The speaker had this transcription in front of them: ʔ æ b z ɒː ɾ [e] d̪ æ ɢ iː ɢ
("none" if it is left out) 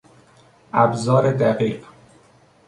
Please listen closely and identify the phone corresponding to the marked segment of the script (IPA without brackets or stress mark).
e